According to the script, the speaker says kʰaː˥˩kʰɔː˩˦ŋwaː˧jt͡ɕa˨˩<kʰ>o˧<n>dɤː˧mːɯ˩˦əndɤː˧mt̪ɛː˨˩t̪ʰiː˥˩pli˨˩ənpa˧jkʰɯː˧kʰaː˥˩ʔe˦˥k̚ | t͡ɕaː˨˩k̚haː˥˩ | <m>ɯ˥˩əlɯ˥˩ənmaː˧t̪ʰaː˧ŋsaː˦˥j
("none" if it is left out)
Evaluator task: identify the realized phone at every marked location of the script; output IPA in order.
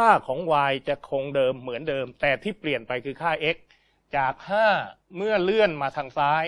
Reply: kʰ, ŋ, m

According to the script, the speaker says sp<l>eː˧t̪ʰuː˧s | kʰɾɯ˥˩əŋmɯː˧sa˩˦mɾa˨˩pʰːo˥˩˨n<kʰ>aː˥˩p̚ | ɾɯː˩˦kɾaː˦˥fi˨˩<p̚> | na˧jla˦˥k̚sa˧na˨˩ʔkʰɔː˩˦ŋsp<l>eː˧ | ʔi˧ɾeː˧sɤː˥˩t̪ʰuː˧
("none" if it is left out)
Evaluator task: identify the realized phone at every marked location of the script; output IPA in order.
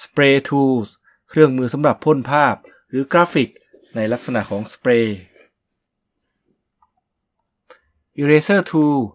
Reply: ɾ, pʰ, k̚, ɾ

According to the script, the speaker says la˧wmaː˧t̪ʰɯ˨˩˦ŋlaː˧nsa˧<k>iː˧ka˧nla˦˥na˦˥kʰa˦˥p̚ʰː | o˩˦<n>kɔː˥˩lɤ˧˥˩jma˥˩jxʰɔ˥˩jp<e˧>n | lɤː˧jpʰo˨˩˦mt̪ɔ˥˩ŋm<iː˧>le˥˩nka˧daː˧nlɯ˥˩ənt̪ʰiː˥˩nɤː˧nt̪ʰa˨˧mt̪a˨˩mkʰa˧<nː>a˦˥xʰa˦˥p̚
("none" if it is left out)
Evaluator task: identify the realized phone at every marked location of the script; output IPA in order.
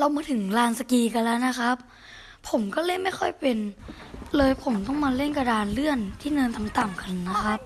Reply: k, m, e˧, aː˧, nː

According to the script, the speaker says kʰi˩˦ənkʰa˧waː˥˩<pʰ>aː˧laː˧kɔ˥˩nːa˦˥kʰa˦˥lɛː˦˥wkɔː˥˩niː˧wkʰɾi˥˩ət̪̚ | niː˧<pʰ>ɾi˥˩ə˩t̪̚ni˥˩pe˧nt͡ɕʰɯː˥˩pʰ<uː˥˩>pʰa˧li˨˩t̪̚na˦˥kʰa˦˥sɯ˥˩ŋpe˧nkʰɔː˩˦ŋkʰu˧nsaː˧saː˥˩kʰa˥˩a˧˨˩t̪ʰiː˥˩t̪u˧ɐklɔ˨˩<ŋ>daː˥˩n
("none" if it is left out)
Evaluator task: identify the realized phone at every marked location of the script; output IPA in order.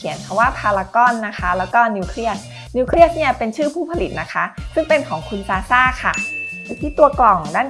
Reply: pʰ, kʰ, uː˥˩, ŋ

